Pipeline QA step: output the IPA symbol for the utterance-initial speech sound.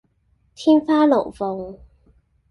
t̪ʰ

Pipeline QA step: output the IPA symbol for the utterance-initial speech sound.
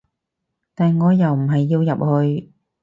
t̪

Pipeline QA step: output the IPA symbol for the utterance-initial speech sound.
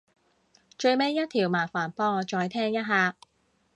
t͡ʃ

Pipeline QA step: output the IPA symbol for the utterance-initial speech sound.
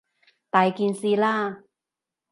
t̪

